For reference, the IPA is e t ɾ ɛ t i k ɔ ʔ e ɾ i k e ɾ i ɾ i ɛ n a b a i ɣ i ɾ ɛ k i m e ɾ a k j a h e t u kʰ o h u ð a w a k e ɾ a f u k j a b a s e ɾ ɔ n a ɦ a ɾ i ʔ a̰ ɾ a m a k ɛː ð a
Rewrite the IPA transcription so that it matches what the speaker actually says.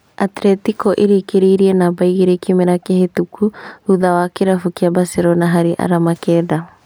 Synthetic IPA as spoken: a t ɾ ɛ t i k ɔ ʔ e ɾ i k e ɾ i ɾ i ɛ n a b a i ɣ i ɾ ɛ k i m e ɾ a k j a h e t u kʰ u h u ð a w a k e ɾ a f u k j a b a s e ɾ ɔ n a ɦ a ɾ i ʔ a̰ ɾ a m a k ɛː ð a